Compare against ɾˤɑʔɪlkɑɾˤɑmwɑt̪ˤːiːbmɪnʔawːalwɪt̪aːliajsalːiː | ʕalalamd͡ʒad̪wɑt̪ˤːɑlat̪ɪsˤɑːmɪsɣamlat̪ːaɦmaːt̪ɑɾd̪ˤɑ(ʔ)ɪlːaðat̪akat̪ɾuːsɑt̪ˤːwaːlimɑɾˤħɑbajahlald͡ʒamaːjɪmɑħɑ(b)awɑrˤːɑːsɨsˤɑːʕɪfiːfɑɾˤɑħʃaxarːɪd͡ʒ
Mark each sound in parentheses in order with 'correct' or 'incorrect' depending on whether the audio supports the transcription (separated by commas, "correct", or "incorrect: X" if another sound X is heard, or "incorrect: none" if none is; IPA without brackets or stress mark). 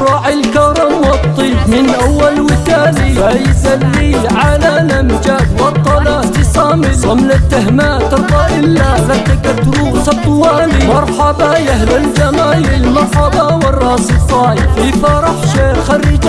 correct, correct